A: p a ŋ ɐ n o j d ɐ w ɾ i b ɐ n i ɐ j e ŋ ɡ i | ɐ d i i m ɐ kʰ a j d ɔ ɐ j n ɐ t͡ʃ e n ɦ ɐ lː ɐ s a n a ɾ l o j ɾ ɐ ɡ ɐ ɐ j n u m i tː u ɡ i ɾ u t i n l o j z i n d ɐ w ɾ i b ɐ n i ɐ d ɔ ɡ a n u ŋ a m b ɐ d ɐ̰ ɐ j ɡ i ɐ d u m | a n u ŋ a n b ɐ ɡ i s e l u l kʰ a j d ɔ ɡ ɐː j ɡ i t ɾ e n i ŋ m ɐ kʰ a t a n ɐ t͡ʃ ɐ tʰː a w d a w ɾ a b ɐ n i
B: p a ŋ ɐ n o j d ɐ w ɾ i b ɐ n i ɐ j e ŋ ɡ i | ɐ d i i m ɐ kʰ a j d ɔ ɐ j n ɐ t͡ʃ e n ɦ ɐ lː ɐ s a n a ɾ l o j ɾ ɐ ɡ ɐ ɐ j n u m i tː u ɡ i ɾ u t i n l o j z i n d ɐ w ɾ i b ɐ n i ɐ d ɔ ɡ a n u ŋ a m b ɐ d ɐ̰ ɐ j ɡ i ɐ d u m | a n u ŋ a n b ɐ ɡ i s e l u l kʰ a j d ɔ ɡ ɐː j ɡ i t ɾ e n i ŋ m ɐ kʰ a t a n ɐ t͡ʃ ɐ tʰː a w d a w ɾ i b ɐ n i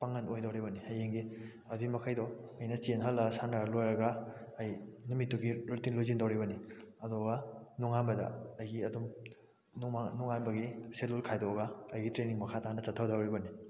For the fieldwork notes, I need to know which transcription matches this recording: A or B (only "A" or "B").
B